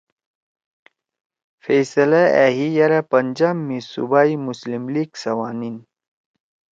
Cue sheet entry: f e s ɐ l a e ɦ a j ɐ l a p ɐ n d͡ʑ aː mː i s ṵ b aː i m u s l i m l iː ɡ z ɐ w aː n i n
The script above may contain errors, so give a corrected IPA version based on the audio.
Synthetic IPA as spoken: f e s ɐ l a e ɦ i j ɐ ɾ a p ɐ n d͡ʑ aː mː i s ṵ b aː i m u s l i m l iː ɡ s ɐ w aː n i n

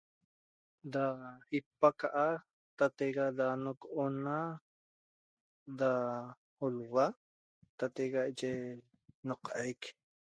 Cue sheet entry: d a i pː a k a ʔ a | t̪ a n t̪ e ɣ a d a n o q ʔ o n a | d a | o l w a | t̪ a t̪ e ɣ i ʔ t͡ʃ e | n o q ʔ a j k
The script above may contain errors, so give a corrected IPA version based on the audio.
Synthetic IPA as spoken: d a i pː a k a ʔ a | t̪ a t̪ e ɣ a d a n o k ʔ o n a | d a | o l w a | t̪ a t̪ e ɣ a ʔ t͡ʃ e | n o q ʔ a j k

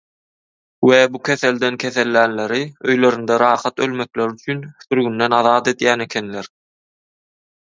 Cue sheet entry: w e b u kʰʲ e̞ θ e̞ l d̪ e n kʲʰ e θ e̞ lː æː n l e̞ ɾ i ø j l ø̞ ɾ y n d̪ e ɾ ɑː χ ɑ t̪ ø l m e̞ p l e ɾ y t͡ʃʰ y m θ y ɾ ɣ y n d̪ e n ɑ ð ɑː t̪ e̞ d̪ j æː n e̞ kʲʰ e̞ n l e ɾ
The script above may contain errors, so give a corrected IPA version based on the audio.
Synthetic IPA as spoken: w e b u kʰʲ e̞ θ e̞ l d̪ e n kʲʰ e θ e̞ lː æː n l e̞ ɾ i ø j l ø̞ ɾ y n d̪ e ɾ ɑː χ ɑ t̪ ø l m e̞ k l e ɾ y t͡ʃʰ y n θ y ɾ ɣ y n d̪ e n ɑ ð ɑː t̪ e̞ d̪ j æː n e̞ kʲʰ e̞ n l e ɾ

